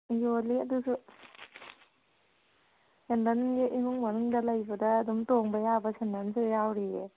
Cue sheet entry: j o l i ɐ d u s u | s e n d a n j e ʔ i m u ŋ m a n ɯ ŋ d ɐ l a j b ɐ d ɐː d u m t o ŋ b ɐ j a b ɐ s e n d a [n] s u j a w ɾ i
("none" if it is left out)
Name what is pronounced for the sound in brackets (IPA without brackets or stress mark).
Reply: n